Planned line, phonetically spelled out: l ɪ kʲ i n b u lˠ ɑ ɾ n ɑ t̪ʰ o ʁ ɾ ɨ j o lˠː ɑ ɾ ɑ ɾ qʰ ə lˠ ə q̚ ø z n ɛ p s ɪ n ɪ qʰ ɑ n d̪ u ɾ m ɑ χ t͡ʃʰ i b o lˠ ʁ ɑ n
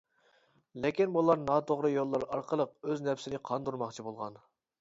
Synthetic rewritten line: l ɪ kʲ i n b u lˠ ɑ ɾ n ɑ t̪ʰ o ʁ ɾ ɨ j o lˠː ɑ ɾ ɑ ɾ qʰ ə lˠ ə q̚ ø z n ɛ p s ɪ n ɪ qʰ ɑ n d̪ u ɾ m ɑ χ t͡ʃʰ i b o lˠ ʁ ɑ n